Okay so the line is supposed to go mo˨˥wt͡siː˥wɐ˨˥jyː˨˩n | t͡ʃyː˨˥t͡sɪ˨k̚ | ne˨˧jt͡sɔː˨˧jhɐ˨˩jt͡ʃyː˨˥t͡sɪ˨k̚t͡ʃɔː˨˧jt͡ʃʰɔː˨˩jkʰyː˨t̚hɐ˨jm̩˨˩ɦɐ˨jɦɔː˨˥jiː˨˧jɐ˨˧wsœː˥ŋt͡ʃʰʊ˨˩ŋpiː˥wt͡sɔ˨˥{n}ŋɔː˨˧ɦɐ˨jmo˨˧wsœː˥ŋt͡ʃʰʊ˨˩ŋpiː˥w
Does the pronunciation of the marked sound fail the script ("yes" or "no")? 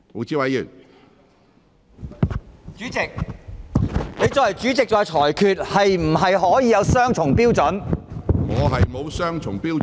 no